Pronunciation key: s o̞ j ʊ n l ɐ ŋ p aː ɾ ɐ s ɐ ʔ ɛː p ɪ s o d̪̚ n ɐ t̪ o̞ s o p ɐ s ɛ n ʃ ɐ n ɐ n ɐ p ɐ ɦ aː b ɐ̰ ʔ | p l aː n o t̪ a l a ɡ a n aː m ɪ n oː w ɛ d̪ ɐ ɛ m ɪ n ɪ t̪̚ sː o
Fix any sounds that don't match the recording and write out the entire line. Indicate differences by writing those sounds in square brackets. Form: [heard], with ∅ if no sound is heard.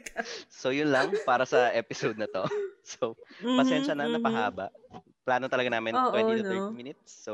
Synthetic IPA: s o̞ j ʊ n l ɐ ŋ p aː ɾ ɐ s ɐ ʔ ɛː p ɪ s o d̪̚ n ɐ t̪ o̞ s o p ɐ s ɛ n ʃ ɐ n ɐ n ɐ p ɐ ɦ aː b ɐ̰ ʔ | p l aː n o t̪ [ɐ] l [ɐ] ɡ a n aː m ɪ n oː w ɛ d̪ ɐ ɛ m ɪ n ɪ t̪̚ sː o